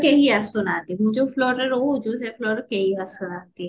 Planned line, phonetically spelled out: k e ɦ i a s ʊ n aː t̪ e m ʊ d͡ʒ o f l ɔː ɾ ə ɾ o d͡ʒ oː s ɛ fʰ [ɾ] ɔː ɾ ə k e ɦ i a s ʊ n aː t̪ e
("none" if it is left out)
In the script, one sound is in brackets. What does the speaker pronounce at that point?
l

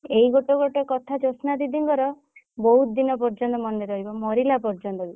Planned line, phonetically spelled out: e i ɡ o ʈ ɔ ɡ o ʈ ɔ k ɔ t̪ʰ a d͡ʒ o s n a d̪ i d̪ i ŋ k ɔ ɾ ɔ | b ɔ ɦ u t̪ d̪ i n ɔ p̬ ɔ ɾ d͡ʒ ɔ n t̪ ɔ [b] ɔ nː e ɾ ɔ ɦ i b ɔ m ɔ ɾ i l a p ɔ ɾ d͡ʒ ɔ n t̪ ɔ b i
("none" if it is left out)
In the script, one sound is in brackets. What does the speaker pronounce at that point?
m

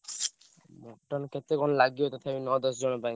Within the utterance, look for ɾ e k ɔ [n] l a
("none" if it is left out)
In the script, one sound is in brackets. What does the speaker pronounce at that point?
n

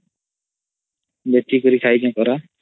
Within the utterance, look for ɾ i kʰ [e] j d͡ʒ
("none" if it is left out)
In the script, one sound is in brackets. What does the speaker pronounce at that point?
a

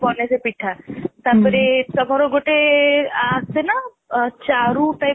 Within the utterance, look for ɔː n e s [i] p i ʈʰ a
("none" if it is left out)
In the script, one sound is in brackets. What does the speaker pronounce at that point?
e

